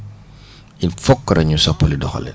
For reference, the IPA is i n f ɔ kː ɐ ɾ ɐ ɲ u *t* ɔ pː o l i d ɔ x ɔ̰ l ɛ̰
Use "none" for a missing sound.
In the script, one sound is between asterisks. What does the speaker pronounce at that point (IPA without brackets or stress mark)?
s